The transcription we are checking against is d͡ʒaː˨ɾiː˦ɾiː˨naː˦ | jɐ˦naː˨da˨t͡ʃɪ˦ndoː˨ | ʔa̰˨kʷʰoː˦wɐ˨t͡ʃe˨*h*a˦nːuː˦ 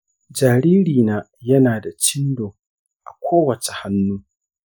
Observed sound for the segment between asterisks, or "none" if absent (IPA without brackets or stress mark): h